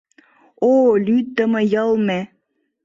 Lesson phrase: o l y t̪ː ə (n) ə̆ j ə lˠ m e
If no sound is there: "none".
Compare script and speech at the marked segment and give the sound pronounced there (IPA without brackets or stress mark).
m